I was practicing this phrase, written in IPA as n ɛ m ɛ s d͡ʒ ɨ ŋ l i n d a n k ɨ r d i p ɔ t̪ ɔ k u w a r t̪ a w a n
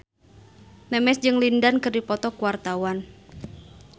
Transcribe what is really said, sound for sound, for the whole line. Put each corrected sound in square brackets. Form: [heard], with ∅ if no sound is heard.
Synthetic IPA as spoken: n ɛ m ɛ s d͡ʒ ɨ ŋ l i n d a n k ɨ r d i p ɔ t̪ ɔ k u w a r t̪ a w a n